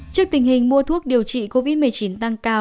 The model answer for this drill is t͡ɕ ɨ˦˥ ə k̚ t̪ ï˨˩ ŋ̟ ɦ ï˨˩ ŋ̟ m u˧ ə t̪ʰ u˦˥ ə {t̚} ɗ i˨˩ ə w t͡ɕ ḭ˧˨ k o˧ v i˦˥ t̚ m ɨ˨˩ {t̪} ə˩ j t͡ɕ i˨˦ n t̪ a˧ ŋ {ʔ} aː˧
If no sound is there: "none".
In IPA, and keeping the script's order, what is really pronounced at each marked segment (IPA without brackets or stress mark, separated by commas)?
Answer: k̚, none, k